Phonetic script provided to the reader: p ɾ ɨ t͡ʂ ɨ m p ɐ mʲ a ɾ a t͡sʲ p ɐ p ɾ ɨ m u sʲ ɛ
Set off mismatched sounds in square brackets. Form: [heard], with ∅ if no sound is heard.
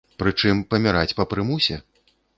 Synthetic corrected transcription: p ɾ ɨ t͡ʂ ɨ m p ɐ mʲ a ɾ a t͡sʲ p ɐ p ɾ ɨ m u sʲ ɛ